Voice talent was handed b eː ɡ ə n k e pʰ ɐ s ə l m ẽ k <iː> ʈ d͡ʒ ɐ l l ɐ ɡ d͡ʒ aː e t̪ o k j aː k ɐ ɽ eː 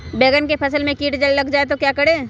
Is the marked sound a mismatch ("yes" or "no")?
no